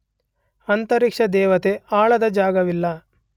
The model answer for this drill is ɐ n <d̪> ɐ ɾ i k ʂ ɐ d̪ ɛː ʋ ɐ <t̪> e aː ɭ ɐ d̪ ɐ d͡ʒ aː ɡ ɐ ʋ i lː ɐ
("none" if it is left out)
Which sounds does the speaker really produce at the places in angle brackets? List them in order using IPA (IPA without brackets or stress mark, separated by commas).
t̪, t̪